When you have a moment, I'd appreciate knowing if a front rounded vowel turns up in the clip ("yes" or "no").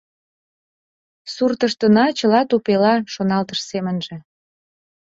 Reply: no